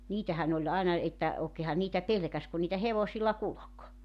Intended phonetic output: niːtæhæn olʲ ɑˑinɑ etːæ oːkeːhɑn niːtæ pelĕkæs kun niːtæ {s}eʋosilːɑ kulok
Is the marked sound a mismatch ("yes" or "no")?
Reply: yes